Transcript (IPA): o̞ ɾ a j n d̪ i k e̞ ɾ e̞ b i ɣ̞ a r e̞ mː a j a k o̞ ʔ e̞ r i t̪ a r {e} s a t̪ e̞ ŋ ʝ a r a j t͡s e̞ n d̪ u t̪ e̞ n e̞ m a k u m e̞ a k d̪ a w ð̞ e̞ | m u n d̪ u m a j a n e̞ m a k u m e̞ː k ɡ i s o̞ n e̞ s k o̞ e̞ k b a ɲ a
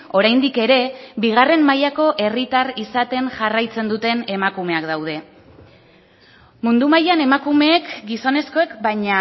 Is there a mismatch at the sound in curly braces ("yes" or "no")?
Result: yes